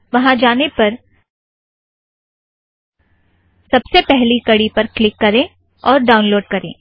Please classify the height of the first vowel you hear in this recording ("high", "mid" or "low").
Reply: low